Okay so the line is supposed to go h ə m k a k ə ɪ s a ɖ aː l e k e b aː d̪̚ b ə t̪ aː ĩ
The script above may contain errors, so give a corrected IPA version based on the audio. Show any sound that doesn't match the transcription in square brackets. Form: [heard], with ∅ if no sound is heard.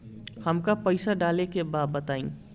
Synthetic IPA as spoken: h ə m k a [p] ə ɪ s a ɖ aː l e k e b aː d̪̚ b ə t̪ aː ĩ